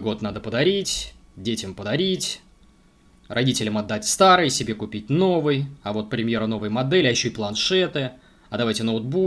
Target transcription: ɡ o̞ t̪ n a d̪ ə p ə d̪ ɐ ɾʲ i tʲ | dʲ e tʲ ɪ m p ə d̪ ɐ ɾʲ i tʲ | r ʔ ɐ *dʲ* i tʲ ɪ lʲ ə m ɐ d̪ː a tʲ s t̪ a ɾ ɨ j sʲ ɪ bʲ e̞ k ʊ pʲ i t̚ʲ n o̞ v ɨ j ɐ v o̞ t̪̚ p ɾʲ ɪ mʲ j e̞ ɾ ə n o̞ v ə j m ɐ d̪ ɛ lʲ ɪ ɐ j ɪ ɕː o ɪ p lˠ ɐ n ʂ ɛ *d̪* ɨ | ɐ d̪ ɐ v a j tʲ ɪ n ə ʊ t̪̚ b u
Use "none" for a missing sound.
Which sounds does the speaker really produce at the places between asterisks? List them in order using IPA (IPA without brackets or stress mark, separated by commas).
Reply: dʲ, t̪